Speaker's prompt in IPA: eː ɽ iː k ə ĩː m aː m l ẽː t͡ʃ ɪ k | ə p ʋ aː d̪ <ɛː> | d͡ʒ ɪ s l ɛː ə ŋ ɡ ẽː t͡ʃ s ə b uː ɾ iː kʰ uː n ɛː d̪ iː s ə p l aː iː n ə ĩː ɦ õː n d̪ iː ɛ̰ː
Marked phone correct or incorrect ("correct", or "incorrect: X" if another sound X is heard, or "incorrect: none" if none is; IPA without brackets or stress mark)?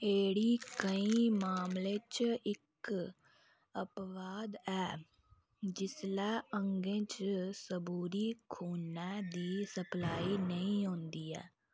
correct